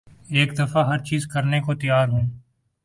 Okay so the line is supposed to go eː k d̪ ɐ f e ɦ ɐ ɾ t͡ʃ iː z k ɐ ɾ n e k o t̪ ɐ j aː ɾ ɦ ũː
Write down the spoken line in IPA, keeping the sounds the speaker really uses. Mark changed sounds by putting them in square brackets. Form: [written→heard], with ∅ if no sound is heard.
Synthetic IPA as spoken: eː k d̪ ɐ f [e→a] ɦ ɐ ɾ t͡ʃ iː z k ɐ ɾ n e k o t̪ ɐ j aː ɾ ɦ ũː

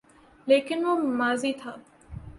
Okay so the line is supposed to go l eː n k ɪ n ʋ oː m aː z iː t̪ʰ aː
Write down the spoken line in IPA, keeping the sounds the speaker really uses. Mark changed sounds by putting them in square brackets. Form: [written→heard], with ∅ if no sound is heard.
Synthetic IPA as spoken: l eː [n→∅] k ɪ n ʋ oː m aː z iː t̪ʰ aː

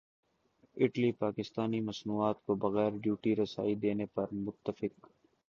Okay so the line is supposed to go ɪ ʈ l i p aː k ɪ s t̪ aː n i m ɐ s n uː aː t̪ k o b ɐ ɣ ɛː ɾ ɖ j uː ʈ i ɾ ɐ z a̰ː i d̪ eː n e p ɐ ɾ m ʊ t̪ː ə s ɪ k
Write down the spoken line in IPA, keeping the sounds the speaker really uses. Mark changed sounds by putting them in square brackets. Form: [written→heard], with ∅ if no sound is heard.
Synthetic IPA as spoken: ɪ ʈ l i p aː k ɪ s t̪ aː n i m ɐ s n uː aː t̪ k o b ɐ ɣ ɛː ɾ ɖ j uː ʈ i ɾ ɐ [z→s] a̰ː i d̪ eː n e p ɐ ɾ m ʊ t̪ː ə [s→f] ɪ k

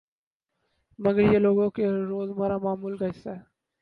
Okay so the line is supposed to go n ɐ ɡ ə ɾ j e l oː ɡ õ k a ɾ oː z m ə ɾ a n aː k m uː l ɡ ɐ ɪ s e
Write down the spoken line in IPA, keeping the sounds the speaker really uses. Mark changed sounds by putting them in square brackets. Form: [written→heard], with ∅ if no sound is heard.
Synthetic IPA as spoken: [n→m] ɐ ɡ ə ɾ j e l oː ɡ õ k [a→e] ɾ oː z m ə ɾ a [n→m] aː [k→∅] m uː l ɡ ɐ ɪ s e

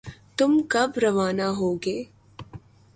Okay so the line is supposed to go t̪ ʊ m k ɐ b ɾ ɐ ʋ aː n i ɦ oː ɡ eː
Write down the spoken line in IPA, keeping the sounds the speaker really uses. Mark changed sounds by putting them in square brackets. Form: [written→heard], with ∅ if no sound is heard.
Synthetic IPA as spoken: t̪ ʊ m k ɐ b ɾ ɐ ʋ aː n [i→a] ɦ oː ɡ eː

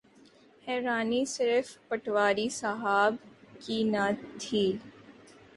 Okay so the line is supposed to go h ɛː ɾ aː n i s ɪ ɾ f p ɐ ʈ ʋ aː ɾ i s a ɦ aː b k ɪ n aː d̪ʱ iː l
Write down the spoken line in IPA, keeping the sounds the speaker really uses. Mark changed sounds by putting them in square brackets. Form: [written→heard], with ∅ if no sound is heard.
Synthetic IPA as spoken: h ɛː ɾ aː n i s ɪ ɾ f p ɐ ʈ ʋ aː ɾ i s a ɦ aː b k [ɪ→i] n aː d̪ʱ iː l

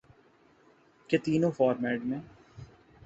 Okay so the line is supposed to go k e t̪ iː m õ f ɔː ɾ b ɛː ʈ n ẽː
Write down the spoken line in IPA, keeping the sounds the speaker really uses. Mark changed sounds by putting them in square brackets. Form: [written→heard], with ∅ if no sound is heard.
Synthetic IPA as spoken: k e t̪ iː [m→n] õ f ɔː ɾ [b→m] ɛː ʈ [n→m] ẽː

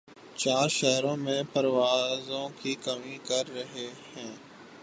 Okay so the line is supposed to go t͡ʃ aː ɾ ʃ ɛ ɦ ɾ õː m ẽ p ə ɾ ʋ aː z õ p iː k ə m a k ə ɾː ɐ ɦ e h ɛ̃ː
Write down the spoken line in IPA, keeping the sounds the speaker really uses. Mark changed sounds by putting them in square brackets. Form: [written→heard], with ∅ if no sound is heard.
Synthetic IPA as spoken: t͡ʃ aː ɾ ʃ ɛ ɦ ɾ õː m ẽ p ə ɾ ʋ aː z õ [p→k] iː k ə m [a→i] k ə ɾː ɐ ɦ e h ɛ̃ː

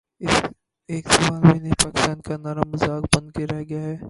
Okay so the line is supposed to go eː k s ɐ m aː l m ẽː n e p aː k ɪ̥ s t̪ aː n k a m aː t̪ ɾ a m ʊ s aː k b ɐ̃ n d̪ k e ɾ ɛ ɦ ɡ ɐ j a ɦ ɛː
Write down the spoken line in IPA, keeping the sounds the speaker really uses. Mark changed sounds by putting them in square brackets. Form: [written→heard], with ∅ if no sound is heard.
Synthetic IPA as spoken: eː k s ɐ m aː l m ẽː n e p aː k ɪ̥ s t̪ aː n k a [m→n] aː [t̪→∅] ɾ a m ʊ [s→z] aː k b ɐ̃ n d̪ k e ɾ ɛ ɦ ɡ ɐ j a ɦ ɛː

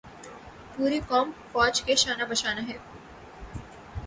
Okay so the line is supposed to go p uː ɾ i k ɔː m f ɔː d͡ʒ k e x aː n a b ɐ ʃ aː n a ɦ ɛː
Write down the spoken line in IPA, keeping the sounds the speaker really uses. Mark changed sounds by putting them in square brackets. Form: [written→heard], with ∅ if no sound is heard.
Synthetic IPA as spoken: p uː ɾ i k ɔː m f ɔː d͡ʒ k e [x→ʃ] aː n a b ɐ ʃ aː n a ɦ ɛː

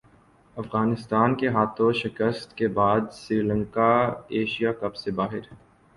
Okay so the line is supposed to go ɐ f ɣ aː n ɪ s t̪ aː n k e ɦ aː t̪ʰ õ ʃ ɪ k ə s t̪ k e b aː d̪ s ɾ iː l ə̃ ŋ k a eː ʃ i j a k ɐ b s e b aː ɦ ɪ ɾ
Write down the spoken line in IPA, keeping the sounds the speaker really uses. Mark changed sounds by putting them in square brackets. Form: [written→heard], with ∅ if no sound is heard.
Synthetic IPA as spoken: ɐ f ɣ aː n ɪ s t̪ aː n k e ɦ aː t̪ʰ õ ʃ ɪ k ə s t̪ k e b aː d̪ s ɾ iː l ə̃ ŋ k a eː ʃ i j a k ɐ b s e b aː ɦ ɪ ɾ

